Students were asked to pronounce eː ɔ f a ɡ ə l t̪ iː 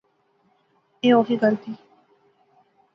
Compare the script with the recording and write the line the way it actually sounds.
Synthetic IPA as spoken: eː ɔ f i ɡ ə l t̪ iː